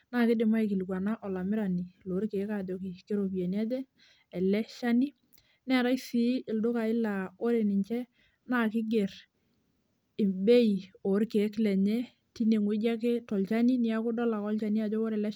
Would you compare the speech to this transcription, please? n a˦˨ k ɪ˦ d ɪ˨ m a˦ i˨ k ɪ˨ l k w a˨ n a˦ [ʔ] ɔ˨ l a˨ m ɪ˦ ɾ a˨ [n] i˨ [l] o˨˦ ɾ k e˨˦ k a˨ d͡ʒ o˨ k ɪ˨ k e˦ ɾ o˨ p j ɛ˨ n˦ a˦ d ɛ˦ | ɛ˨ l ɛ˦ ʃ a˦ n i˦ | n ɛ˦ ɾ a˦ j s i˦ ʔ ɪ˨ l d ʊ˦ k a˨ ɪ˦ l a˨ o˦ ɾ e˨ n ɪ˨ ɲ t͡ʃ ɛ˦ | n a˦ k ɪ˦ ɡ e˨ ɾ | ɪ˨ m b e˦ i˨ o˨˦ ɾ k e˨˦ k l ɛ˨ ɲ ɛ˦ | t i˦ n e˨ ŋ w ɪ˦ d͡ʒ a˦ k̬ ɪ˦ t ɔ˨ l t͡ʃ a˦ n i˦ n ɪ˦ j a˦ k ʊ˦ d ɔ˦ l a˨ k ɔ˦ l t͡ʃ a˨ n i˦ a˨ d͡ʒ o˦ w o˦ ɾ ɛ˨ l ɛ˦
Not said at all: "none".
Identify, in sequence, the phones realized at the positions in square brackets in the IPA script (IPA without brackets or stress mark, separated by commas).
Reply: ʔ, n, l